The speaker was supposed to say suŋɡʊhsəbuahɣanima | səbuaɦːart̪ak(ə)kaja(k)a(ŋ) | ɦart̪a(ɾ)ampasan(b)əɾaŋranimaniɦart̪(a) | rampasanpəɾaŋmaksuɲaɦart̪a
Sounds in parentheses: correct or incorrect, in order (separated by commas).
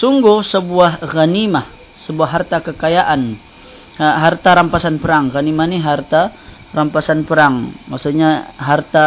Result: correct, incorrect, incorrect, correct, incorrect, correct